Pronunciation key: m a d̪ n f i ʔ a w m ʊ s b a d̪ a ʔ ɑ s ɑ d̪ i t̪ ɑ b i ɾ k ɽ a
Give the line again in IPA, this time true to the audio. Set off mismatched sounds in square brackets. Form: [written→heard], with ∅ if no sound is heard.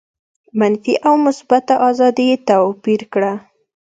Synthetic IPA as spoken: m a [d̪→∅] n f i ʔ a w m ʊ s b a [d̪→t̪] a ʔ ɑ [s→z] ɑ d̪ i t̪ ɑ [b→p] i ɾ k ɽ a